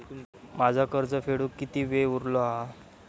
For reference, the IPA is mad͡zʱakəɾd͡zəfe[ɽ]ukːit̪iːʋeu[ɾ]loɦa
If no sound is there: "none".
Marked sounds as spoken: ɽ, ɾ

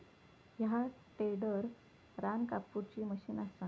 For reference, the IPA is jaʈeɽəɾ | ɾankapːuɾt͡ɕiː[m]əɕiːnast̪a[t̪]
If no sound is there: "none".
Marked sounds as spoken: m, none

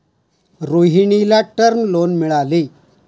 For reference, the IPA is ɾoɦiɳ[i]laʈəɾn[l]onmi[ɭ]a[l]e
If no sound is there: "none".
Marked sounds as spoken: i, l, ɭ, l

